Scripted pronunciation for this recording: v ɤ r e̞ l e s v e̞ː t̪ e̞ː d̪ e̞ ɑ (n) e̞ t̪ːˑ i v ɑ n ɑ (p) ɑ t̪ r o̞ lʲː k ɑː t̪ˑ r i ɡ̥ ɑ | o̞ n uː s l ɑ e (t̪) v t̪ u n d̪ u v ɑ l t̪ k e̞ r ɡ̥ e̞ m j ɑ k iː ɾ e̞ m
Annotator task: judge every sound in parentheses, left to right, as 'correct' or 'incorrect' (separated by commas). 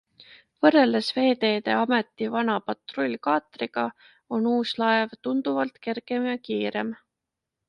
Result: incorrect, correct, incorrect